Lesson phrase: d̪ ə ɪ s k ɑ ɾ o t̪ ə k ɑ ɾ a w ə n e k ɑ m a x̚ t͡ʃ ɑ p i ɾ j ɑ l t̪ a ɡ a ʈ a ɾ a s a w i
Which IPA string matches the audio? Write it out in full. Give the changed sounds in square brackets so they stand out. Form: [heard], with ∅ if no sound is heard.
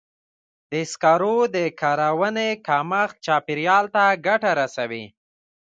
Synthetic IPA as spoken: d̪ ə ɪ s k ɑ ɾ o [d̪] ə k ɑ ɾ a w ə n e k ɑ m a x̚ t͡ʃ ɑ p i ɾ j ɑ l t̪ a ɡ a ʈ a ɾ a s a w i